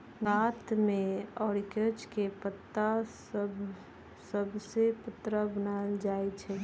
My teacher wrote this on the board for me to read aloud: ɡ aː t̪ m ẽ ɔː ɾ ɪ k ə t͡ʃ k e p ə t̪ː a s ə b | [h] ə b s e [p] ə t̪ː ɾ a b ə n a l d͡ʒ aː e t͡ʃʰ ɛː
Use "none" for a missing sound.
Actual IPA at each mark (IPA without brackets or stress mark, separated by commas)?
s, p